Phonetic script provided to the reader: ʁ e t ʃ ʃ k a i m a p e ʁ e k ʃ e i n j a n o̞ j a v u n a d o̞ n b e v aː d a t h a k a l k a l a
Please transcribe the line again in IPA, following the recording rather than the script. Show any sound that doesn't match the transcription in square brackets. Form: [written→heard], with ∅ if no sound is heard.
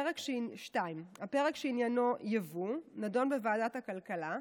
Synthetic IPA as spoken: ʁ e [t→k] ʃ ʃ [k→t] a i m a p e ʁ e k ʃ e i n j a n o̞ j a v u n a d o̞ n b e v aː d a t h a k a l k a l a